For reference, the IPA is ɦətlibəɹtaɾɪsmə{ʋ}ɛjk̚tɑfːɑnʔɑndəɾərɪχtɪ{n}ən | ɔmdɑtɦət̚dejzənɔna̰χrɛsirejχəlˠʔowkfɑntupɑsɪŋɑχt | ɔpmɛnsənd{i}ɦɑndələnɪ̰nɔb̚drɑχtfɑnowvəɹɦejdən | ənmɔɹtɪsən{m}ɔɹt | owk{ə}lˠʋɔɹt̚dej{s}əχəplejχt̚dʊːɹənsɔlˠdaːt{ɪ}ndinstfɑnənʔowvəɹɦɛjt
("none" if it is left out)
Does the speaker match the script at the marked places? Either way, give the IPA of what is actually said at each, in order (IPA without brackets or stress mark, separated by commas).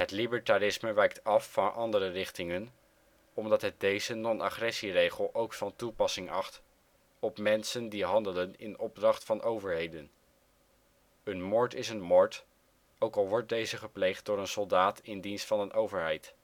ʋ, ŋ, i, m, ɑ, z, ɪ